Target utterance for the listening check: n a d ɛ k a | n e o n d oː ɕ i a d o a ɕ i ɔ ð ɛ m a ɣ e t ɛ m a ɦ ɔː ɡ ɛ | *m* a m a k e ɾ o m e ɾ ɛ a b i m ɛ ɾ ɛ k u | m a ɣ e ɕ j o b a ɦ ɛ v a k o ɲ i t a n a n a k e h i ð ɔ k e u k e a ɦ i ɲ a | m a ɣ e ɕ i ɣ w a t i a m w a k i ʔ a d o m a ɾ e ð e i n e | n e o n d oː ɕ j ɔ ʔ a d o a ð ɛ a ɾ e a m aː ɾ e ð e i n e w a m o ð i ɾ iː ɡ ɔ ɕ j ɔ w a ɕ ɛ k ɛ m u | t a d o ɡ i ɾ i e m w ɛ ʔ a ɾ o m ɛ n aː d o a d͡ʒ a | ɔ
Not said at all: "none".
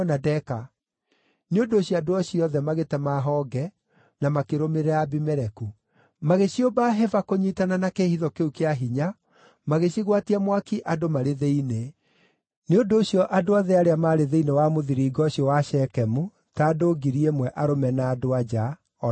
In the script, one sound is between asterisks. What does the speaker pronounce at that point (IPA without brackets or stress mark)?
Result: n